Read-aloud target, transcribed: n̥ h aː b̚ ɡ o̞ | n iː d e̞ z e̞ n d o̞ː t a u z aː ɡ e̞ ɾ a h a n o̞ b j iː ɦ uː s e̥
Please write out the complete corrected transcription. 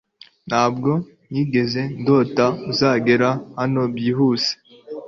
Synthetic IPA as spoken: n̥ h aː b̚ ɡ o̞ | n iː ɡ e̞ z e̞ n d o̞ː t a u z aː ɡ e̞ ɾ a h a n o̞ b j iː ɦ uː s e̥